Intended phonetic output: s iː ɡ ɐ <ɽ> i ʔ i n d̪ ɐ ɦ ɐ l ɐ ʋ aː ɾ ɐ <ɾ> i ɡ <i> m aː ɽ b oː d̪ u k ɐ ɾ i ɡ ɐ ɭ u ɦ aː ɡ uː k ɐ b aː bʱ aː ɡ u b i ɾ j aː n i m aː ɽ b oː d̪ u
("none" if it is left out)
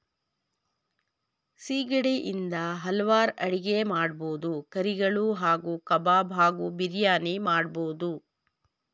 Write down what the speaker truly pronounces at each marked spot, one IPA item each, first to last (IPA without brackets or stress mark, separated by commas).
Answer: ɽ, ɽ, e